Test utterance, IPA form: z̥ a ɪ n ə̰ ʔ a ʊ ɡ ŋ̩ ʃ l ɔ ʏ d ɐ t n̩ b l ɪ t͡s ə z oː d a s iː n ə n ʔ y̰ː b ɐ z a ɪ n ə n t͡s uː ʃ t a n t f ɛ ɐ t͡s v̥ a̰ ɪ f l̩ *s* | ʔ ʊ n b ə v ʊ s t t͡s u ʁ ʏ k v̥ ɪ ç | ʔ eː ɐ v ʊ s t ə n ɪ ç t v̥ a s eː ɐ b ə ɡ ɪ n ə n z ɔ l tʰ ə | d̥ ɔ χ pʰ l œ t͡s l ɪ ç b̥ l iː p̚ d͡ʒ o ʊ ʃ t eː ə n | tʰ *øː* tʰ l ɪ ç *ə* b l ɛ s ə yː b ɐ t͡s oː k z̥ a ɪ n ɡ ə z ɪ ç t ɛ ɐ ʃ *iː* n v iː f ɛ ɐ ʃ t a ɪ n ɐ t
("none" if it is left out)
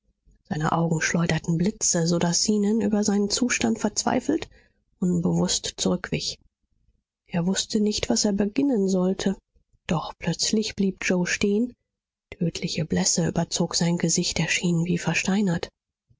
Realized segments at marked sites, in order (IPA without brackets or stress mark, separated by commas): t, øː, ə, iː